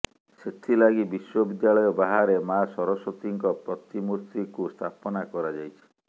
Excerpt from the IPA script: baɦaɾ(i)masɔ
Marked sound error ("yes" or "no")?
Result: yes